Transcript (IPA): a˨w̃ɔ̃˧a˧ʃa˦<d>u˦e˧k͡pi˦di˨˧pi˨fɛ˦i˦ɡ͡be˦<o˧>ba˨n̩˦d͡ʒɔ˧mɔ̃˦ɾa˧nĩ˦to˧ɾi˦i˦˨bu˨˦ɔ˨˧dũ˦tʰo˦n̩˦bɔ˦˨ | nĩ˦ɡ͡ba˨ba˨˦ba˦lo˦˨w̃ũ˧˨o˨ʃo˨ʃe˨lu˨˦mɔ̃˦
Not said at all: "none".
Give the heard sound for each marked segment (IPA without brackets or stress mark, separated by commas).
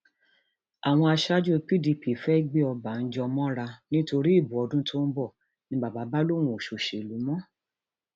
d͡ʒ, ɔ˧